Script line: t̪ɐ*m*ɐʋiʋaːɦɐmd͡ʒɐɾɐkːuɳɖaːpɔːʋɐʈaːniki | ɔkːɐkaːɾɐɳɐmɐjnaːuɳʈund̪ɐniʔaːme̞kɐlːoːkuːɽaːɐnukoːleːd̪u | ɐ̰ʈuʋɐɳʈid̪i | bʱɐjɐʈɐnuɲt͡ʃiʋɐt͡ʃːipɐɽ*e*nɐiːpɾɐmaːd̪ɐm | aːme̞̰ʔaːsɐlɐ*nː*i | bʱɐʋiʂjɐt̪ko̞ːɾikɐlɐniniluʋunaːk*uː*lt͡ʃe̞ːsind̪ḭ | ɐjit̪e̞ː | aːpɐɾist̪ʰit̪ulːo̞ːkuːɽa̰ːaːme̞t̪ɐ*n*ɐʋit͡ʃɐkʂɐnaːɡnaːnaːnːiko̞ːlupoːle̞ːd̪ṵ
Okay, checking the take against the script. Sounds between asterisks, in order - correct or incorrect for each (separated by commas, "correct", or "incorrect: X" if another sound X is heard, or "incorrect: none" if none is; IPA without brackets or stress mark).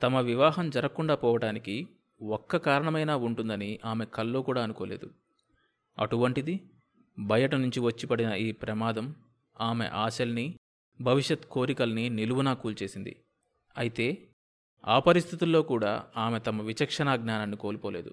correct, incorrect: i, incorrect: n, correct, incorrect: m